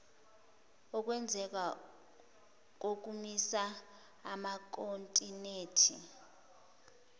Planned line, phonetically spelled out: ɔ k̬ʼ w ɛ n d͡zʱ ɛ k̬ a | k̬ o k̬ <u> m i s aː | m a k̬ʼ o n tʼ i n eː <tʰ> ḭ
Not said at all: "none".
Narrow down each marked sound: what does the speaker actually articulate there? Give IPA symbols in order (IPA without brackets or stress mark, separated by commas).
u, tʰ